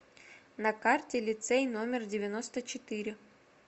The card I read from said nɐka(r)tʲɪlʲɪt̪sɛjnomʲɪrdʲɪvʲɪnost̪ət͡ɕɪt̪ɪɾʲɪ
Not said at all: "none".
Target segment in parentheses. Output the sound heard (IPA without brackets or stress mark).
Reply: r